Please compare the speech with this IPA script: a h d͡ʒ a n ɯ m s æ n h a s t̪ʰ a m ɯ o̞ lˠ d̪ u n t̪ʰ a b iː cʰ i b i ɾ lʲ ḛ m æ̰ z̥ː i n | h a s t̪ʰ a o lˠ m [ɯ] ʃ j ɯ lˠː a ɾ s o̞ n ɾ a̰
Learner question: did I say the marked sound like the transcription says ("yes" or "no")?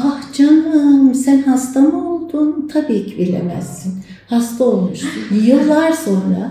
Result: no